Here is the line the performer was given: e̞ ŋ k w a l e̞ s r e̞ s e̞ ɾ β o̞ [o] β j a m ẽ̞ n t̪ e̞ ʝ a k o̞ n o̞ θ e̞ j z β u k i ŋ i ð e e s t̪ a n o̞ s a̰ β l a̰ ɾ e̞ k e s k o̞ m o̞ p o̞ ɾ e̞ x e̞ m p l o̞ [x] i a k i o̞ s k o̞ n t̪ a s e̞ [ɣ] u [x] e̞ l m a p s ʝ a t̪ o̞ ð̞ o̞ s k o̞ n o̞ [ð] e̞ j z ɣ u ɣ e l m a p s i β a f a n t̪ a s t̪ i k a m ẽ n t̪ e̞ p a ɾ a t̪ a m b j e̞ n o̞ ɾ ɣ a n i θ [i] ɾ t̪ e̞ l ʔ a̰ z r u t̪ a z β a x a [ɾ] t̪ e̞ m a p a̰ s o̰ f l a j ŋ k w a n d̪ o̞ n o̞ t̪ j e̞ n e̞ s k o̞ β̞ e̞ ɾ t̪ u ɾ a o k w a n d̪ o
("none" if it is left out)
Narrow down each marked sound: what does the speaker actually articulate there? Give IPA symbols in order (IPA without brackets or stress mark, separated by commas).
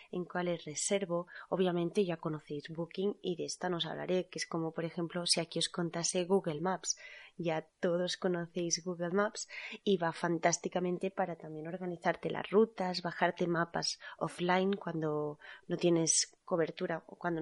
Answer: o, s, ɣ, ɣ, θ, a, ɾ